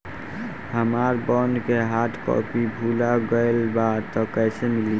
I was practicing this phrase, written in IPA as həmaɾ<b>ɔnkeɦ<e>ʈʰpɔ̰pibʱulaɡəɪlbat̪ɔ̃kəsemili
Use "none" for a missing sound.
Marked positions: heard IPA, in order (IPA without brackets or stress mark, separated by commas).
b, a